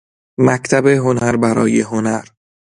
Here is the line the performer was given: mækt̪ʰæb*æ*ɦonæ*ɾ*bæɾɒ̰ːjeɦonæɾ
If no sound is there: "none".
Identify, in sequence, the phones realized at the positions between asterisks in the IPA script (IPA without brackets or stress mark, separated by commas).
e, ɾ